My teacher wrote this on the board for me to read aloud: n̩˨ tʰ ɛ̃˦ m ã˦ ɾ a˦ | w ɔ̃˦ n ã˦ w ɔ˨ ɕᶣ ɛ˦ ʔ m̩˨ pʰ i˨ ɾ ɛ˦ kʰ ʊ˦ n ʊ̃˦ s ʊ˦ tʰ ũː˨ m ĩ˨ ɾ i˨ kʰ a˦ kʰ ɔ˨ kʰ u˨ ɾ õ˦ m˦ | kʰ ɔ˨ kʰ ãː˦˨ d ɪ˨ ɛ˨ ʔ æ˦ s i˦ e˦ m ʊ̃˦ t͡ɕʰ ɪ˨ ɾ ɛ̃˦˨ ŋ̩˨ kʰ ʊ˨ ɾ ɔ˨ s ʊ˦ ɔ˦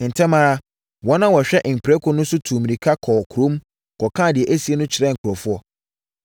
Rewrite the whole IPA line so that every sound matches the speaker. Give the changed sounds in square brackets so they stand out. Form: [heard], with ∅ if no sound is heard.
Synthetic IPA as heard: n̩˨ tʰ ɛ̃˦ m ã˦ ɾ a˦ | w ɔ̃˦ n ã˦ w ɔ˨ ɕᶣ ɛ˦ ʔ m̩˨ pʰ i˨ ɾ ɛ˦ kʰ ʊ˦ n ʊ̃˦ s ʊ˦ tʰ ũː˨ m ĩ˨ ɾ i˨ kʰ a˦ kʰ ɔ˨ kʰ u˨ ɾ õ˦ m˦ | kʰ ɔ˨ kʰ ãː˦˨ d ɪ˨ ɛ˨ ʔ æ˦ s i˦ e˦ [n] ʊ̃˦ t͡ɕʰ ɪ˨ ɾ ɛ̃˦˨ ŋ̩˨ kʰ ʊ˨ ɾ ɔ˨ [f] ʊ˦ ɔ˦